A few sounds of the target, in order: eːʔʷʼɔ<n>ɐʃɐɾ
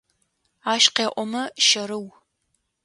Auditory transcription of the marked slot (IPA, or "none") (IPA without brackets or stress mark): m